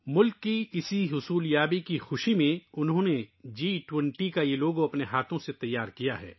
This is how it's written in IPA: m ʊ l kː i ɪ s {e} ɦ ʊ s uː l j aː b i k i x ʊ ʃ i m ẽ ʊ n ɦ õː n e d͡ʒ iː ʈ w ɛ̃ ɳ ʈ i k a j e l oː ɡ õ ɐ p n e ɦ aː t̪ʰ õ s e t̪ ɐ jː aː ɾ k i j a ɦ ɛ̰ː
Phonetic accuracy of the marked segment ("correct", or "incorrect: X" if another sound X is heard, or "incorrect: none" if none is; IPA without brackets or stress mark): incorrect: i